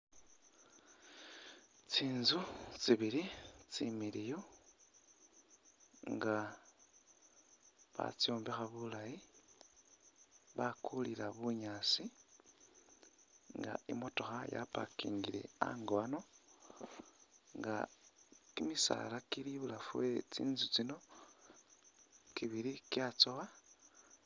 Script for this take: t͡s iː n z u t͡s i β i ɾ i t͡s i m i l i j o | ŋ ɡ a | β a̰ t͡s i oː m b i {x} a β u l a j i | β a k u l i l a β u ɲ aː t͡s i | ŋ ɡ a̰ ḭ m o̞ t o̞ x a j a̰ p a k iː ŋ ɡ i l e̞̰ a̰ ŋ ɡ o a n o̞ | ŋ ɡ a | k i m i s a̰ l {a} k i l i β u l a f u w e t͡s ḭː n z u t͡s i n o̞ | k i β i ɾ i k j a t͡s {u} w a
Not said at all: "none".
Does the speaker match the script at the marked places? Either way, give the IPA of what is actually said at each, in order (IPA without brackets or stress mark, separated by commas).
x, a, o